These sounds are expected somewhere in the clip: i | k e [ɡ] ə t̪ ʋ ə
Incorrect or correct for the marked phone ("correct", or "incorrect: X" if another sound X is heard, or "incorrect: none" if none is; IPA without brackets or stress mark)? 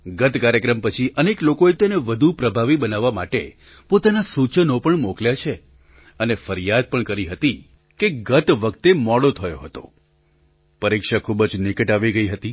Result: correct